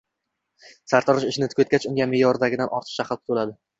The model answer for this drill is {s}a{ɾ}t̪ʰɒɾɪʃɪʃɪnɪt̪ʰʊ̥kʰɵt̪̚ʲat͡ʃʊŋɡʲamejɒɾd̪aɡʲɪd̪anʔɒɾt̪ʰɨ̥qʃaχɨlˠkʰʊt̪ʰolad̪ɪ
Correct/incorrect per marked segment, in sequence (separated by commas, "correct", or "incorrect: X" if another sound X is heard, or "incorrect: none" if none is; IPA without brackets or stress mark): correct, correct